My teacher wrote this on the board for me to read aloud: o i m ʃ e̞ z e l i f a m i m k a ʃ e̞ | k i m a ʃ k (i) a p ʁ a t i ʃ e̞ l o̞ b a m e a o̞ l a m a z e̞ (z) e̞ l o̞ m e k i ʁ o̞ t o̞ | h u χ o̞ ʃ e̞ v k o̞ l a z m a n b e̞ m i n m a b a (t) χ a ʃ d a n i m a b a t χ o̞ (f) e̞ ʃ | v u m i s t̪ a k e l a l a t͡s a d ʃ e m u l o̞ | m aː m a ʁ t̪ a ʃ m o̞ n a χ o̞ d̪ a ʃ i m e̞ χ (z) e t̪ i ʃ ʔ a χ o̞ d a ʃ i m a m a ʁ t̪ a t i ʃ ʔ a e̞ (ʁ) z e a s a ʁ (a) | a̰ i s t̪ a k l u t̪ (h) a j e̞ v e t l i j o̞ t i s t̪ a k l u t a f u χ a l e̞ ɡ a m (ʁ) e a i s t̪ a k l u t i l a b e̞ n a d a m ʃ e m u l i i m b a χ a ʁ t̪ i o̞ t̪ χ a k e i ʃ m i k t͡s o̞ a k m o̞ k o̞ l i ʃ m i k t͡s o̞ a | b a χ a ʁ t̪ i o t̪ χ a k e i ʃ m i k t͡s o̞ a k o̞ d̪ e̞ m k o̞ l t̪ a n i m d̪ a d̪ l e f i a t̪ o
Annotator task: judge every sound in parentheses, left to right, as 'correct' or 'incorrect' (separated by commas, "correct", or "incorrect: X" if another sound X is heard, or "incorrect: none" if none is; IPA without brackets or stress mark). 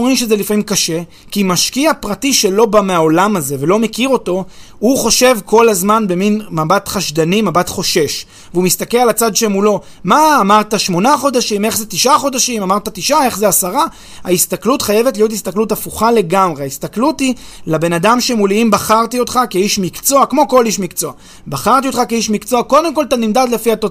correct, incorrect: v, correct, incorrect: ʃ, correct, incorrect: χ, correct, incorrect: χ, correct